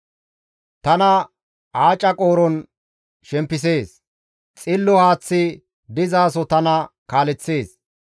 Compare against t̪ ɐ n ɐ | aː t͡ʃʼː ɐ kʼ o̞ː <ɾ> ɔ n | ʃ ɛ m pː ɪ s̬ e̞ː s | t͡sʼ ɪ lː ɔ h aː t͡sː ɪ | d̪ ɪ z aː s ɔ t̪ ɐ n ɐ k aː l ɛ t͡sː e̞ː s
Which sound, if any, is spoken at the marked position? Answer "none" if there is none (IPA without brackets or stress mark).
ɾ